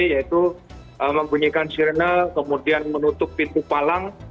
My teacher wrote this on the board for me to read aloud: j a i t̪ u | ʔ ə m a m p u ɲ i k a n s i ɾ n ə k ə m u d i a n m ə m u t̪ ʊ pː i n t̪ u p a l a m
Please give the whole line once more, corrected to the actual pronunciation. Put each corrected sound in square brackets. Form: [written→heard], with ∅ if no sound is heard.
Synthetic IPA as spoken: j a i t̪ u | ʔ ə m [a→ə] m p u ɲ i k a n s i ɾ n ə k ə m u d i a n m ə [m→n] u t̪ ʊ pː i n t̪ u p a l a [m→ŋ]